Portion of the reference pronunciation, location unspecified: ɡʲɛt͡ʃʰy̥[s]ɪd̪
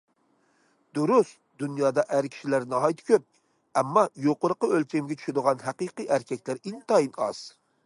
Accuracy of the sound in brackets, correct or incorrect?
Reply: incorrect